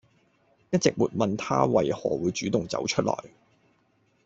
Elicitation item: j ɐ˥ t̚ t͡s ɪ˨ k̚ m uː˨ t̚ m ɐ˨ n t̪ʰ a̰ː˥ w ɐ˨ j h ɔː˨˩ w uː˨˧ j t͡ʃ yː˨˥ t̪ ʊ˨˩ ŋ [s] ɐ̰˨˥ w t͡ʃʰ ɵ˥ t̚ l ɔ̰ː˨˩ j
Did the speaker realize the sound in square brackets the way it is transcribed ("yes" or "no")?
no